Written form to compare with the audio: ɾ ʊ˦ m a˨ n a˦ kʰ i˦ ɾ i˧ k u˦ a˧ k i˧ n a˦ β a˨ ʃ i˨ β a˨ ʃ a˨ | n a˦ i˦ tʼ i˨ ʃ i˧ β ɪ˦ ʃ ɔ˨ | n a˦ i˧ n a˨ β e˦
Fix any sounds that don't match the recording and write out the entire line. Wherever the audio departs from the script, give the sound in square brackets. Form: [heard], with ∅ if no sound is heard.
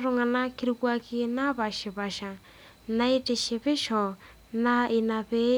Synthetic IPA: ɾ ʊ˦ [ŋ] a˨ n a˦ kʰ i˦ ɾ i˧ k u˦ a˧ k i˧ n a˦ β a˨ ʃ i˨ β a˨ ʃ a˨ | n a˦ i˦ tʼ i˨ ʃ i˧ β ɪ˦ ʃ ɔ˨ | n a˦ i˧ n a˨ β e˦